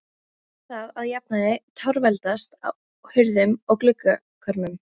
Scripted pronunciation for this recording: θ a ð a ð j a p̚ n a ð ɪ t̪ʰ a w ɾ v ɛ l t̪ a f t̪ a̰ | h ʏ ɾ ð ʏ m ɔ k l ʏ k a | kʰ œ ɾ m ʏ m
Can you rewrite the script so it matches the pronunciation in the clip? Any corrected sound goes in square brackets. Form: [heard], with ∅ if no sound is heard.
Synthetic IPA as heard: θ a ð a ð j a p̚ n a ð ɪ t̪ʰ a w ɾ v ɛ l t̪ a [s] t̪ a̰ | h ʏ ɾ ð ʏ m ɔ k l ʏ k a | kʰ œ ɾ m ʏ m